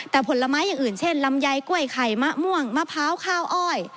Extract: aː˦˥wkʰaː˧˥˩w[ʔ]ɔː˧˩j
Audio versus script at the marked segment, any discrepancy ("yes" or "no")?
no